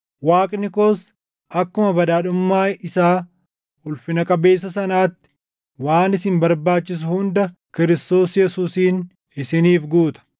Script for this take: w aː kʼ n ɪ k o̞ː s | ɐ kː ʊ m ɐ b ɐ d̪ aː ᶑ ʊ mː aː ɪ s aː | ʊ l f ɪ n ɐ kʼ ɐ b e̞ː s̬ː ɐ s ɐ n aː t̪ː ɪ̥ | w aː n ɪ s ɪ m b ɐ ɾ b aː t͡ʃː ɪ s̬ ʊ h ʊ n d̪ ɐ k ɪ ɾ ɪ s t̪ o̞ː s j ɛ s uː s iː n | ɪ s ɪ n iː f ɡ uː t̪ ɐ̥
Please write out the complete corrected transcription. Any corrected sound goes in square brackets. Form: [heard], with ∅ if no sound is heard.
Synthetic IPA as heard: w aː kʼ n ɪ k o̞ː s | ɐ kː ʊ m ɐ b ɐ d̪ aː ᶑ ʊ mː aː ɪ s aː | ʊ l f ɪ n ɐ kʼ ɐ b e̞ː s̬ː ɐ s ɐ n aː t̪ː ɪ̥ | w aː n ɪ s ɪ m b ɐ ɾ b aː t͡ʃː ɪ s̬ ʊ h ʊ n d̪ ɐ k ɪ ɾ ɪ s t̪ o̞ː s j ɛ s uː s iː n | ɪ s ɪ n iː f ɡ uː t̪ ɐ̥